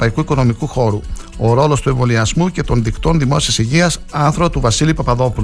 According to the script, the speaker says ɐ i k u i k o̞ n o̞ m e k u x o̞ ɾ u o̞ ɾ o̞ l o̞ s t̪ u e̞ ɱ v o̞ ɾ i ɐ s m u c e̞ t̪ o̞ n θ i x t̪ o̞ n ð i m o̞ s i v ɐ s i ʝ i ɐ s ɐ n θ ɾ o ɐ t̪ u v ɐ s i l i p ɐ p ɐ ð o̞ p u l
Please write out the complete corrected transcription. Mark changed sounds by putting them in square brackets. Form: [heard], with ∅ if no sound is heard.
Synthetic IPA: ɐ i k u i k o̞ n o̞ m [i] k u x o̞ ɾ u o̞ ɾ o̞ l o̞ s t̪ u e̞ ɱ v o̞ [l] i ɐ [z] m u c e̞ t̪ o̞ n [ð] i [k] t̪ o̞ n ð i m o̞ s i [∅] ɐ s i ʝ i ɐ s ɐ n θ ɾ o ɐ t̪ u v ɐ s i l i p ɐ p ɐ ð o̞ p u l